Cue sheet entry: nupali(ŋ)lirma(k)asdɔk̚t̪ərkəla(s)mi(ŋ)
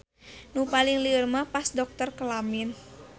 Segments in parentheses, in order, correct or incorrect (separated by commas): correct, incorrect, incorrect, incorrect